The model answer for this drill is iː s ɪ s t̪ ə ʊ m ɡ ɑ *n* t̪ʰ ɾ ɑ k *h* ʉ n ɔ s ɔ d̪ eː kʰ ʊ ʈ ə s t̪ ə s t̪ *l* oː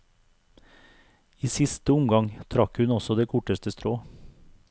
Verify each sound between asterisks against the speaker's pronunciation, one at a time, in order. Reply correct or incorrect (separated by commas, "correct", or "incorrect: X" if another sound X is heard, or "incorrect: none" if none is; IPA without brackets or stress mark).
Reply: incorrect: ŋ, correct, incorrect: ɾ